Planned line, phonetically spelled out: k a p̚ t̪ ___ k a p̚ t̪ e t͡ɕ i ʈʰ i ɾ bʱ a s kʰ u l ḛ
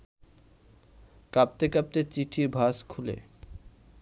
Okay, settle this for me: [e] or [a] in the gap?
e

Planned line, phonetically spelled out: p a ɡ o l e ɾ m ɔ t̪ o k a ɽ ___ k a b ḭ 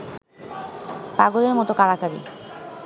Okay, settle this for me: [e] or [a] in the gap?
a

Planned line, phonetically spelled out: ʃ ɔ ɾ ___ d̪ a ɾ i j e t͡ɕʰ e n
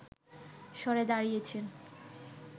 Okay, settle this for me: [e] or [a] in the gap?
e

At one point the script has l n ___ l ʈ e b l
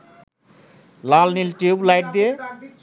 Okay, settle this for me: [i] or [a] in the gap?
i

